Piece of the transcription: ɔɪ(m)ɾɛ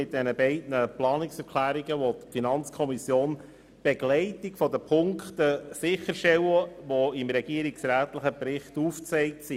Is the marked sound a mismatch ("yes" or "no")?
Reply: no